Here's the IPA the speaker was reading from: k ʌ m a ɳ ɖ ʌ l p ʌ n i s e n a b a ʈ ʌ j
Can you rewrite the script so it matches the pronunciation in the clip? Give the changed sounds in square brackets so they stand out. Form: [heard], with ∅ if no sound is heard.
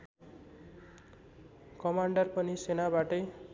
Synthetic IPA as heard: k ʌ m a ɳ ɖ ʌ [r] p ʌ n i s e n a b a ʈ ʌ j